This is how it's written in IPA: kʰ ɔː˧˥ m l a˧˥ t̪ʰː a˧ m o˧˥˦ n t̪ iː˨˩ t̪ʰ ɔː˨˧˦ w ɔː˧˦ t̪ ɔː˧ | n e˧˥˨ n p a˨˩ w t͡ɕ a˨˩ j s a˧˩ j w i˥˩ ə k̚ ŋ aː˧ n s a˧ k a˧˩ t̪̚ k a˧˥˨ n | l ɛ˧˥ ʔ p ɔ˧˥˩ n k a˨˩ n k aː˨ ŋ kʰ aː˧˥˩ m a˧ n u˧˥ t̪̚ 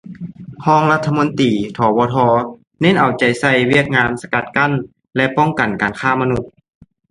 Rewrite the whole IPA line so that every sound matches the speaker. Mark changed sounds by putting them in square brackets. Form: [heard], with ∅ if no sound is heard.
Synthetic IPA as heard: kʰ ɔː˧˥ [ŋ] l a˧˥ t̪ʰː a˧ m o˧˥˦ n t̪ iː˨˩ t̪ʰ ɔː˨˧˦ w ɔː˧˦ [t̪ʰ] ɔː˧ | n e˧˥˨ n [ʔ] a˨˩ w t͡ɕ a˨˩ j s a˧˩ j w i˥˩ ə k̚ ŋ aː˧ n s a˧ k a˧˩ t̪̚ k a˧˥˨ n | l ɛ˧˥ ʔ p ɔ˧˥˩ [ŋ] k a˨˩ n k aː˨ [n] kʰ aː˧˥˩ m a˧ n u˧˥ t̪̚